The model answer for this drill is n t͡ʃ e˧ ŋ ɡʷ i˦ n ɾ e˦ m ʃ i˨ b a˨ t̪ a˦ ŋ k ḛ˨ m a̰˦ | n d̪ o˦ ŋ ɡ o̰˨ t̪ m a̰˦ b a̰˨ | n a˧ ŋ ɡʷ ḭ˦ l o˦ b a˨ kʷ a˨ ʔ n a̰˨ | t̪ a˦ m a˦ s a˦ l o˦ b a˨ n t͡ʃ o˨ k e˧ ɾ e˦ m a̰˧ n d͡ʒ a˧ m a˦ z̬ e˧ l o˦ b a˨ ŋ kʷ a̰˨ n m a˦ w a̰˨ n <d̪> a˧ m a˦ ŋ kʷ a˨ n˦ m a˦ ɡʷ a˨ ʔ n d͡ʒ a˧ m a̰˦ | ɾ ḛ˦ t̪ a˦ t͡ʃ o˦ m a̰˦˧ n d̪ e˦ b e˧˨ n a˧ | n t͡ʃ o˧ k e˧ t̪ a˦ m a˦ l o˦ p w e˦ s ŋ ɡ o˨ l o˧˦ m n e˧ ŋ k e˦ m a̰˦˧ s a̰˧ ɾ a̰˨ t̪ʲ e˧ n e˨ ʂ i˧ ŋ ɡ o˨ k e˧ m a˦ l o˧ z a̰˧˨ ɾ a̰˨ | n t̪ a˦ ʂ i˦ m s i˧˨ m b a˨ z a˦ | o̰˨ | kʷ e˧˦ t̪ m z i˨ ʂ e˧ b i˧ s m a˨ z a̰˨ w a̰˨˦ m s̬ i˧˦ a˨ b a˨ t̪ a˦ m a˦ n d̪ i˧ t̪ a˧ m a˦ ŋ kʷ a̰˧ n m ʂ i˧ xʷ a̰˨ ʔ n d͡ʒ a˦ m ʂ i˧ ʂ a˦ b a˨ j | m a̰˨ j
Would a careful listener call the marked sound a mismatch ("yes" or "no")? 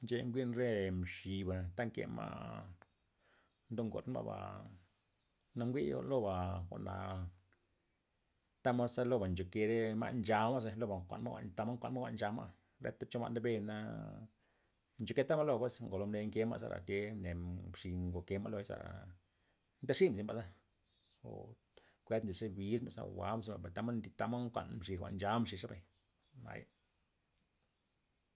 yes